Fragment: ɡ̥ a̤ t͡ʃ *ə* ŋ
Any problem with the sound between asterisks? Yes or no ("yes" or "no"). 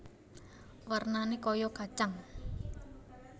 yes